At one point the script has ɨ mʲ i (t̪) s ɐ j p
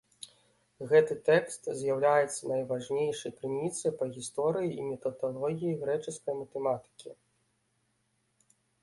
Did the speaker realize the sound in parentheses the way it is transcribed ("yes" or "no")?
yes